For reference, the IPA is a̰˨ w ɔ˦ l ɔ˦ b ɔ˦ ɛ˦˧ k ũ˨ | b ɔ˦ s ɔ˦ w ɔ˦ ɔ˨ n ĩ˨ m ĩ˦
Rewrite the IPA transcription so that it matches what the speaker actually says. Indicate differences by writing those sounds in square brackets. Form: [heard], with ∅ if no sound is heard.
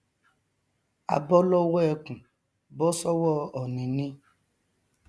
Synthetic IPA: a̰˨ [b] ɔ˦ l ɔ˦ [w] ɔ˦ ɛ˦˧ k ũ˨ | b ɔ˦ s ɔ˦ w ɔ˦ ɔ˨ n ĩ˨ [n] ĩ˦